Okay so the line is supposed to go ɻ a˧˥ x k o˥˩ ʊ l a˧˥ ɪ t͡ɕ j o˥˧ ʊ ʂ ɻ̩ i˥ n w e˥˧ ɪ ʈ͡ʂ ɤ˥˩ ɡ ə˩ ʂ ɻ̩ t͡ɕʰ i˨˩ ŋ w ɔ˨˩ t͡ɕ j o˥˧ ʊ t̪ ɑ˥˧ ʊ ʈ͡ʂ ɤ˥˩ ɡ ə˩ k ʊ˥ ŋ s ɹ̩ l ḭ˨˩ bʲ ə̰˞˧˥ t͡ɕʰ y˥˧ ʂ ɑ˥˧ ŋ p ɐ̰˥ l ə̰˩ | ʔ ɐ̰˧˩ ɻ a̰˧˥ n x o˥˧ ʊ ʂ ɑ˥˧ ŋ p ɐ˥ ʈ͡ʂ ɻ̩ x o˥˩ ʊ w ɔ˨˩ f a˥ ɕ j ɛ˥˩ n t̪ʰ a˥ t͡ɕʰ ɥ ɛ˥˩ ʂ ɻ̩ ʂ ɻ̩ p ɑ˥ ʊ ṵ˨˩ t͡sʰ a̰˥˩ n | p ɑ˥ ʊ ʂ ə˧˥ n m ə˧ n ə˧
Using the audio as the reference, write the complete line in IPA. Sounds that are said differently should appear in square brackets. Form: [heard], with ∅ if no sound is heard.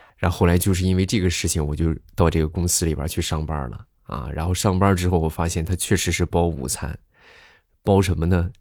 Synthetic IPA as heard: ɻ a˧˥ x [x] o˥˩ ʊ l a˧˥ ɪ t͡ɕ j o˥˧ ʊ ʂ ɻ̩ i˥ n w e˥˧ ɪ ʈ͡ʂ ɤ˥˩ ɡ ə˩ ʂ ɻ̩ t͡ɕʰ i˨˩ ŋ w ɔ˨˩ t͡ɕ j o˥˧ ʊ t̪ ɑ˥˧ ʊ ʈ͡ʂ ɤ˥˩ ɡ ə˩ k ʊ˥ ŋ s ɹ̩ l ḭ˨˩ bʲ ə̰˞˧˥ t͡ɕʰ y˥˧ ʂ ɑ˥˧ ŋ p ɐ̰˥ l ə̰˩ | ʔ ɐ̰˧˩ ɻ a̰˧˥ n x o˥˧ ʊ ʂ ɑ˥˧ ŋ p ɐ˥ ʈ͡ʂ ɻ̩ x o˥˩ ʊ w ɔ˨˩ f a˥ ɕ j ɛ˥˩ n t̪ʰ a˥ t͡ɕʰ ɥ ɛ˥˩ ʂ ɻ̩ ʂ ɻ̩ p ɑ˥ ʊ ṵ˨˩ t͡sʰ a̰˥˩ n | p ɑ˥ ʊ ʂ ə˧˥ n m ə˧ n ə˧